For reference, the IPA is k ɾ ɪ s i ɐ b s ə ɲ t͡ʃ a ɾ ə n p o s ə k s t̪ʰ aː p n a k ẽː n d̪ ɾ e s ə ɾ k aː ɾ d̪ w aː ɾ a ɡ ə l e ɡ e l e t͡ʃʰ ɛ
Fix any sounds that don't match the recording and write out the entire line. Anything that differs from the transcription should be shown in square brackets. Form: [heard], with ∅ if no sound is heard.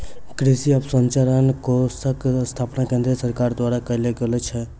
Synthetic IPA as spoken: k ɾ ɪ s i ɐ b s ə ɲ t͡ʃ a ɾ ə n [k] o s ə k s t̪ʰ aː p n a k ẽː n d̪ ɾ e s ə ɾ k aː ɾ d̪ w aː ɾ a [k] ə l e ɡ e l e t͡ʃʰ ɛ